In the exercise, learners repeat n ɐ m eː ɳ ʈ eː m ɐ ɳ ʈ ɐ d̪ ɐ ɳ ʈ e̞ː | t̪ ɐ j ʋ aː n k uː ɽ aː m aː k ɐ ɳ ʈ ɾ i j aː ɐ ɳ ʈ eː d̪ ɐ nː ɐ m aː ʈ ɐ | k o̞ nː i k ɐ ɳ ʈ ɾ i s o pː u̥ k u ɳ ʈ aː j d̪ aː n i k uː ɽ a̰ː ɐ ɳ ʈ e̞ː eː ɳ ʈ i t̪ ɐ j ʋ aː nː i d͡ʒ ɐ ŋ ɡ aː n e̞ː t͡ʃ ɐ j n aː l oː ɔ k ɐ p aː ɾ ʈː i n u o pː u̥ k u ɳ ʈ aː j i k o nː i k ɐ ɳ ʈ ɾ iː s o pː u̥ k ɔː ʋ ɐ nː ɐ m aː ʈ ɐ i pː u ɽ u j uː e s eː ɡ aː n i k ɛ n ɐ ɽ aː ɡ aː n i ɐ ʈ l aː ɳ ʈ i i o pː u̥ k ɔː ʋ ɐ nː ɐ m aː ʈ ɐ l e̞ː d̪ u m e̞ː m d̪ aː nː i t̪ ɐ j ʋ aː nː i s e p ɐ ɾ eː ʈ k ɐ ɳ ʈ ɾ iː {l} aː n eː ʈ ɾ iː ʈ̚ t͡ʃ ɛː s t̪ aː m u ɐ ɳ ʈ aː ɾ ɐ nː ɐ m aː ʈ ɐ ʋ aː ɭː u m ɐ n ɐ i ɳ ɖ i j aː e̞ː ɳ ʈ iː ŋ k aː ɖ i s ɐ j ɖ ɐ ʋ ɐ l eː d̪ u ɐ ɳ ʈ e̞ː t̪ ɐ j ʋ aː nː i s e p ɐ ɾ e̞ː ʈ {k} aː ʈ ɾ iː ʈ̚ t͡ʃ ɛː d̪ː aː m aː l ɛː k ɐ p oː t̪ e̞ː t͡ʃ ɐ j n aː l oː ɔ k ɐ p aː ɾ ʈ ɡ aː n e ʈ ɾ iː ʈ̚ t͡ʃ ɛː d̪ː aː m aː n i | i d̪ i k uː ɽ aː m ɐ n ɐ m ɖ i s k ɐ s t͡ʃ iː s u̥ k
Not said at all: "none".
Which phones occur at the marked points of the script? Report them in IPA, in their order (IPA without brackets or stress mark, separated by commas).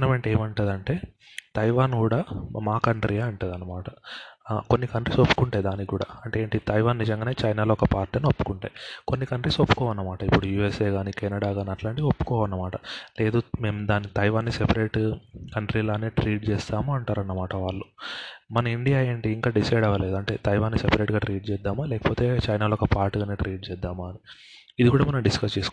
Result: l, ɡ